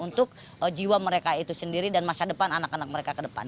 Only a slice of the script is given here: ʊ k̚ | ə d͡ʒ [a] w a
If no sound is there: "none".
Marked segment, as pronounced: i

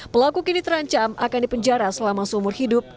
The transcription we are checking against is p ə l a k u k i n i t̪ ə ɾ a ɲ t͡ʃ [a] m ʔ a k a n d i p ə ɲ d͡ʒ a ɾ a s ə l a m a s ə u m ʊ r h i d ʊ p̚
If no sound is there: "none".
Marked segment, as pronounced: a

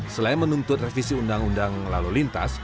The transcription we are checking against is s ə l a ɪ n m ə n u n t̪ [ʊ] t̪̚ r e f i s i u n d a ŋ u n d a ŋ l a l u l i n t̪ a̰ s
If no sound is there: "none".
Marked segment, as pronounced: ʊ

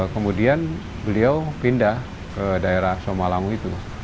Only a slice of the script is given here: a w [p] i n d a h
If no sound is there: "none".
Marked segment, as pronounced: p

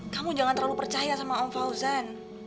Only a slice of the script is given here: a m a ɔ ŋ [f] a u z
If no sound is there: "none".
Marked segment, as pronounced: f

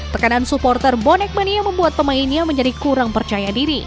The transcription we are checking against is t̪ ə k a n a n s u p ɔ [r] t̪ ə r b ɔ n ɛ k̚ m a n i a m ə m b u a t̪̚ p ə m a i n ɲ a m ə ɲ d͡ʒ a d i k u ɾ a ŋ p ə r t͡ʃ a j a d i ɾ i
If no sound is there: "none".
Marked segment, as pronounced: r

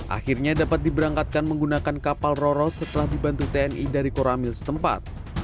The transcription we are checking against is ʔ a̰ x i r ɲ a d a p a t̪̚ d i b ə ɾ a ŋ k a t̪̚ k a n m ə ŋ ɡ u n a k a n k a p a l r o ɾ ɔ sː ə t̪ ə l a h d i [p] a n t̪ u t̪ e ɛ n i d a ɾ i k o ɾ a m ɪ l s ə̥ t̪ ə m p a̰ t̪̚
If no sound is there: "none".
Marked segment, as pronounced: b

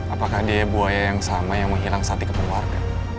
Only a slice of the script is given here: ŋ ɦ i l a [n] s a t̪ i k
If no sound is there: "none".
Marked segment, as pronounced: ŋ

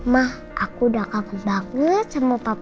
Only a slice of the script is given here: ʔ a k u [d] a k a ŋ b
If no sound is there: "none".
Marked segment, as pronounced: d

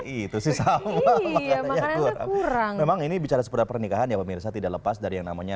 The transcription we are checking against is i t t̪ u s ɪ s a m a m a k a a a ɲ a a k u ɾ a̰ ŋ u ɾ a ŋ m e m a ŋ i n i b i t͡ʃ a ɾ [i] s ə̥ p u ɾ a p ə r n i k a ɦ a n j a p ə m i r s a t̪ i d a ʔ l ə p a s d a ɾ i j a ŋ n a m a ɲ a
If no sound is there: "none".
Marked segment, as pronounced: a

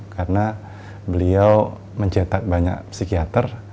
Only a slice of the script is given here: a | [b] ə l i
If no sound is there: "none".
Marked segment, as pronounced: b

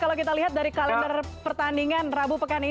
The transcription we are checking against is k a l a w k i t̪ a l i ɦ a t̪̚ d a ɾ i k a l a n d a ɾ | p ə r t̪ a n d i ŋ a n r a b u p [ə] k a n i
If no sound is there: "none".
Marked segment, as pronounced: ə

